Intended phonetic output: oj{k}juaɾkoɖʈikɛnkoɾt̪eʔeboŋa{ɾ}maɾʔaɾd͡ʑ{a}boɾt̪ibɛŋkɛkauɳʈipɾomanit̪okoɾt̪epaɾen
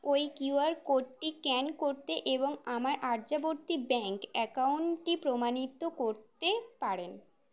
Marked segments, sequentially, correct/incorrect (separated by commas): correct, incorrect, correct